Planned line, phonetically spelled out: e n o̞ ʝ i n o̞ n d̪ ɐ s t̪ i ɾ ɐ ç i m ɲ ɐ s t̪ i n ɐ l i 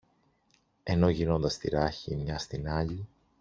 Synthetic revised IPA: e n o̞ ʝ i n o̞ n d̪ ɐ s t̪ i ɾ ɐ ç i m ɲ ɐ s t̪ i n ɐ ʎ i